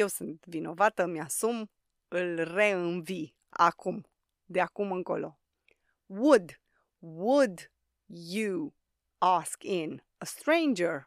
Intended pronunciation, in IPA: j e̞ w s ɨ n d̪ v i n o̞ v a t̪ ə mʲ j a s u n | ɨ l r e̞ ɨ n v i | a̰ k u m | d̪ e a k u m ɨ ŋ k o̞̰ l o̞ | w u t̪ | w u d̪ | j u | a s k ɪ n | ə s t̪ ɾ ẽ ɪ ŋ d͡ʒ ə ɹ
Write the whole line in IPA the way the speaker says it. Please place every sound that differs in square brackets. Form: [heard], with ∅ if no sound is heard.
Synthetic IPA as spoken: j e̞ w s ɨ n [t̪] v i n o̞ v a t̪ ə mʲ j a s u [m] | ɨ l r e̞ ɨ n v i | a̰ k u m | d̪ e a k u m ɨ ŋ k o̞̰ l o̞ | w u [d̪] | w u d̪ | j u | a s k ɪ n | ə s t̪ ɾ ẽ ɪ [n] d͡ʒ ə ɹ